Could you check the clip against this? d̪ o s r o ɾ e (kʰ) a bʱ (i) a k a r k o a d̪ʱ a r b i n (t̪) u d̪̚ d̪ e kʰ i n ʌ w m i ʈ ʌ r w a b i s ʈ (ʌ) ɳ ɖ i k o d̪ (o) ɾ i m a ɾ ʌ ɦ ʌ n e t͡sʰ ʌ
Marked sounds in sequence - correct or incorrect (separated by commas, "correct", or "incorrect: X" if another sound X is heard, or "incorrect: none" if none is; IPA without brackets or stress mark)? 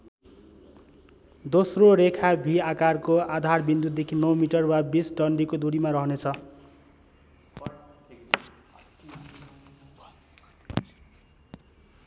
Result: correct, correct, incorrect: d̪, correct, incorrect: u